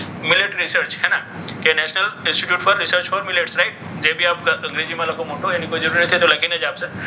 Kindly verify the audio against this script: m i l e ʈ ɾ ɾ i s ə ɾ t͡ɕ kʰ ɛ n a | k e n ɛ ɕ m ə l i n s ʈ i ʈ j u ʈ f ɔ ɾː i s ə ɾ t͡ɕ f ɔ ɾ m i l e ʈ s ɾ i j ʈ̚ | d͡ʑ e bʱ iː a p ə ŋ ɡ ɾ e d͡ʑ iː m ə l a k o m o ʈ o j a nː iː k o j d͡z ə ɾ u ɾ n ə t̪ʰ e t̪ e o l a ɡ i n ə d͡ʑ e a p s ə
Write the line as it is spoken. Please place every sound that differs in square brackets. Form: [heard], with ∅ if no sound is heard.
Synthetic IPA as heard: m i l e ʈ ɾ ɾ i s ə ɾ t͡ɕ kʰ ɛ n a | k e n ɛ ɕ [n] ə l i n s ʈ i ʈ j u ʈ f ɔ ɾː i s ə ɾ t͡ɕ f ɔ ɾ m i l e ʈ s ɾ [a] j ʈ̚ | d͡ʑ e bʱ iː a p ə ŋ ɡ ɾ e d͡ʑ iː m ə l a k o m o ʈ o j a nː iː k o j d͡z ə ɾ u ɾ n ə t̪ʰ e t̪ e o l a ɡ i n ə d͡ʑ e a p s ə